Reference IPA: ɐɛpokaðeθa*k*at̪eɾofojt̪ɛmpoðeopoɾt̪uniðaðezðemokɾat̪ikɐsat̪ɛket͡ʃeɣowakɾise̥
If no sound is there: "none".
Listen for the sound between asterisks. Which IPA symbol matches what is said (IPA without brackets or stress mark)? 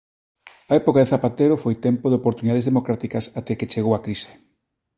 p